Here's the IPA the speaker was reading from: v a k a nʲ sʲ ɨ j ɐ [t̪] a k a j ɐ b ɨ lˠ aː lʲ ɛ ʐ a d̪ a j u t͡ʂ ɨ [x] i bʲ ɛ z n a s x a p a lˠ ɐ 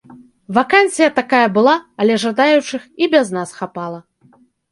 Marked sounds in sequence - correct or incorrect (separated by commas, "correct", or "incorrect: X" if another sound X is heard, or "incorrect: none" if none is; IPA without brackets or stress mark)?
correct, correct